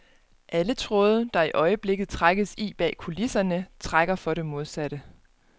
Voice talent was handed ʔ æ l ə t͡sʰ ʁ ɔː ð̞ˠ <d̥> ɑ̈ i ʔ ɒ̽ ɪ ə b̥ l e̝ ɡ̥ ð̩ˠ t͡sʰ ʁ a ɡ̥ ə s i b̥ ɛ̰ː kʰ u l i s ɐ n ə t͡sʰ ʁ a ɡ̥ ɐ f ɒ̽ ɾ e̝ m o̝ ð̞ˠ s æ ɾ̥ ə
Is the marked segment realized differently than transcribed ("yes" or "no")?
no